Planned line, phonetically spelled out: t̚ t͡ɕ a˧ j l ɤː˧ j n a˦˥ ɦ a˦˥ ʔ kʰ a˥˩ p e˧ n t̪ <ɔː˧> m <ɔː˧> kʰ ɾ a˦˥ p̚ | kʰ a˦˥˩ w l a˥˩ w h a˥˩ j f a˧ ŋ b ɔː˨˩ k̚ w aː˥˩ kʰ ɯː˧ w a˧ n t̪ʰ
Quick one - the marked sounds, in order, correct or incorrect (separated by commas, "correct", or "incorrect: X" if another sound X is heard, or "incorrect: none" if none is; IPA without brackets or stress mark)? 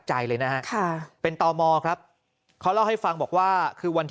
correct, correct